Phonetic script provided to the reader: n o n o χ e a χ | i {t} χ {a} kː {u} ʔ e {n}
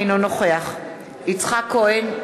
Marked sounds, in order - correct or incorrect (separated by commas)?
incorrect, correct, incorrect, correct